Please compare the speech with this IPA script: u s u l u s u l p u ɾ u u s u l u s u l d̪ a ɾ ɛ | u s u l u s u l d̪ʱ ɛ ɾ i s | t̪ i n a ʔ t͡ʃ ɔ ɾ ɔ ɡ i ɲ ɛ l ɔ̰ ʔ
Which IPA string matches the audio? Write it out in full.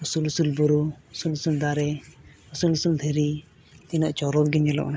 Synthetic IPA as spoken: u s u l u s u l b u ɾ u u s u l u s u l d̪ a ɾ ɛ | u s u l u s u l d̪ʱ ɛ ɾ i | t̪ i n a ʔ t͡ʃ ɔ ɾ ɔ ɡ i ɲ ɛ l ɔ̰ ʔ